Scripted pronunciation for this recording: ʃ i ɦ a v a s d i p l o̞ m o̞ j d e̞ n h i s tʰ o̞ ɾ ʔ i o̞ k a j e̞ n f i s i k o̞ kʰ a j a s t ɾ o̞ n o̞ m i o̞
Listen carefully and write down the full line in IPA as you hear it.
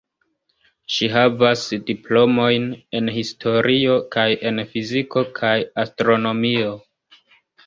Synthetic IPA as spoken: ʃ i ɦ a v a s d i p l o̞ m o̞ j n e̞ n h i s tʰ o̞ ɾ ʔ i o̞ k a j e̞ n f i z i k o̞ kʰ a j a s t ɾ o̞ n o̞ m i o̞

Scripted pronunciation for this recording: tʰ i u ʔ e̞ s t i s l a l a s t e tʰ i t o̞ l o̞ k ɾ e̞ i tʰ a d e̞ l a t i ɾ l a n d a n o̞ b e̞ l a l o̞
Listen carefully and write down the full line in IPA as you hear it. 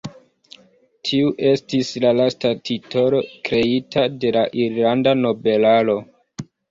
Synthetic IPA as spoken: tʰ i u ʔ e̞ s t i s l a l a s t a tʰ i t o̞ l o̞ k ɾ e̞ i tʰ a d e̞ l a ʔ i ɾ l a n d a n o̞ b e̞ l a l o̞

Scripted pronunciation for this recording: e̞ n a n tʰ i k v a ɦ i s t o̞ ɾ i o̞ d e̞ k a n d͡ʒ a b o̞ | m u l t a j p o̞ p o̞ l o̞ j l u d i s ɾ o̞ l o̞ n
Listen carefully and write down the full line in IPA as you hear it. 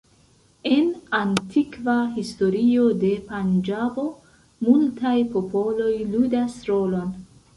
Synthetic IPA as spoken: e̞ n a n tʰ i k v a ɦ i s t o̞ ɾ i o̞ d e̞ p a n d͡ʒ a b o̞ | m u l t a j p o̞ p o̞ l o̞ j l u d a s ɾ o̞ l o̞ n

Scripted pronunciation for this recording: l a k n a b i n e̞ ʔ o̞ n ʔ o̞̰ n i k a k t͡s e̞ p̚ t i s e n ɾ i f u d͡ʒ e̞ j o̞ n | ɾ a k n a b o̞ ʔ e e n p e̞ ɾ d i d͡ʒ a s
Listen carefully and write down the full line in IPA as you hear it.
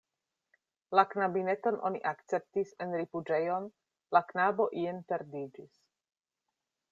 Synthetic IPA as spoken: l a k n a b i n e̞ t o̞ n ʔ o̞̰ n i ʔ a k t͡s e̞ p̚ t i s e n ɾ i f u d͡ʒ e̞ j o̞ n | l a k n a b o̞ ʔ i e n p e̞ ɾ d i d͡ʒ i s

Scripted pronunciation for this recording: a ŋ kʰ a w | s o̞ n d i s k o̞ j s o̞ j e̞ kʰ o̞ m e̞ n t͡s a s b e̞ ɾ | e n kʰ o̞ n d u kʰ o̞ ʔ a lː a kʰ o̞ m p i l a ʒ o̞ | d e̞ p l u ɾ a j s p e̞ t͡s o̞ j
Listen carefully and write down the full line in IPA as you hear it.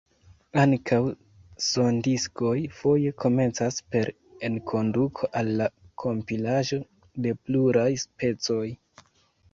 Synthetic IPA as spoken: a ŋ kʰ a w | s o̞ n d i s k o̞ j f o̞ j e̞ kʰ o̞ m e̞ n t͡s a s p e̞ ɾ | e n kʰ o̞ n d u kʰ o̞ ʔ a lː a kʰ o̞ m p i l a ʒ o̞ | d e̞ p l u ɾ a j s p e̞ t͡s o̞ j

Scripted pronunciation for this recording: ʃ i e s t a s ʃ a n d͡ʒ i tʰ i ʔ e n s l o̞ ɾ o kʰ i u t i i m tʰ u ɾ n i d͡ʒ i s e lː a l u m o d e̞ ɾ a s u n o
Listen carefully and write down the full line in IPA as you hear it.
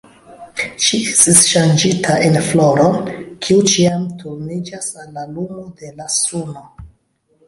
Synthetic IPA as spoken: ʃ i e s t i s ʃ a n d͡ʒ i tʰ a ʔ e n f l o̞ ɾ o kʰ i u t͡ʃ i a m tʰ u ɾ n i d͡ʒ a s a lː a l u m o d e̞ l a s u n o

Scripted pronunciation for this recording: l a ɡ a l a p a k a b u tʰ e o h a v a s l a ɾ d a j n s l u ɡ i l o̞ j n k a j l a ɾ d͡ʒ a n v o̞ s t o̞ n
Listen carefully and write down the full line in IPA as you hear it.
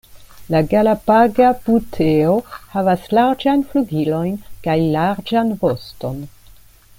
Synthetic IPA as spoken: l a ɡ a l a p a ɡ a b u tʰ e o h a v a s l a ɾ d͡ʒ a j n f l u ɡ i l o̞ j n k a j l a ɾ d͡ʒ a n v o̞ s t o̞ n

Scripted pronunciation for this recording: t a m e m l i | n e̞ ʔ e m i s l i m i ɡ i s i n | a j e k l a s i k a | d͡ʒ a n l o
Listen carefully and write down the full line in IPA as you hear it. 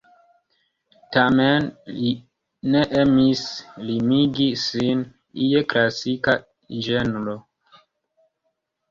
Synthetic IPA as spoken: t a m e n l i | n e̞ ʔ e m i s l i m i ɡ i s i n | i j e k l a s i k a | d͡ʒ e n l o

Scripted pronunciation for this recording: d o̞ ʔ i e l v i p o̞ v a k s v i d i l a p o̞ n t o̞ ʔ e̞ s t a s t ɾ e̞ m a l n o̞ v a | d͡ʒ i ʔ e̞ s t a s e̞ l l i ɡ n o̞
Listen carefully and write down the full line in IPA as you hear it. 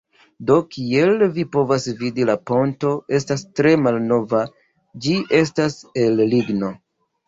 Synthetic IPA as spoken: d o̞ k i e l v i p o̞ v a s v i d i l a p o̞ n t o̞ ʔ e̞ s t a s t ɾ e̞ m a l n o̞ v a | d͡ʒ i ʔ e̞ s t a s e̞ l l i ɡ n o̞

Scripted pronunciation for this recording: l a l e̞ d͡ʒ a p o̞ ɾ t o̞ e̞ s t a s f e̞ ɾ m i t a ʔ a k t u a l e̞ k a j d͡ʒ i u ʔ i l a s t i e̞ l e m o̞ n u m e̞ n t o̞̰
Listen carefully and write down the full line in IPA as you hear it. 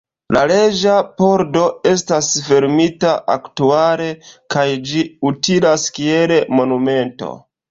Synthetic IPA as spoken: l a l e̞ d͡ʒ a p o̞ ɾ d o̞ e̞ s t a s f e̞ ɾ m i t a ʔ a k t u a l e̞ k a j d͡ʒ i u t i l a s k i e̞ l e m o̞ n u m e̞ n t o̞̰

